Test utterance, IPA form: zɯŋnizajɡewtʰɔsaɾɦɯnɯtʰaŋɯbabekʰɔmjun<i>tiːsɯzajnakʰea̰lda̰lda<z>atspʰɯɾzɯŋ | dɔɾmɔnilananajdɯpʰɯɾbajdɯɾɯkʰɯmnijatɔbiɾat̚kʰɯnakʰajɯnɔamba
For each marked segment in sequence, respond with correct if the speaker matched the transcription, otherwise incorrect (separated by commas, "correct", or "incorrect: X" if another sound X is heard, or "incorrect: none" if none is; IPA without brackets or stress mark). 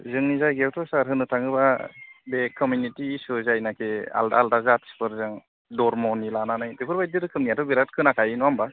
correct, correct